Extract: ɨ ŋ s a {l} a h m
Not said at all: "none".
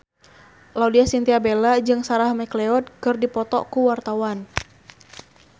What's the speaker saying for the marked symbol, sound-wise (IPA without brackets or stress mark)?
ɾ